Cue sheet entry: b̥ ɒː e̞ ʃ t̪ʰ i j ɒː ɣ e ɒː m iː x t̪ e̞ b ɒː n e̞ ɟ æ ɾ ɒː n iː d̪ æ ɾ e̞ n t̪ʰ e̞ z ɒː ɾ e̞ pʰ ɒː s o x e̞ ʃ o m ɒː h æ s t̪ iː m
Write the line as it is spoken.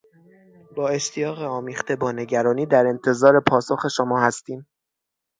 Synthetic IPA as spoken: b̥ ɒː e̞ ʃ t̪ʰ i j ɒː ɣ e ɒː m iː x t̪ e̞ b ɒː n e̞ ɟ æ ɾ ɒː n iː d̪ æ ɾ e̞ n t̪ʰ e̞ z ɒː ɾ e̞ pʰ ɒː s o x e̞ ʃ o m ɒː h æ s t̪ iː m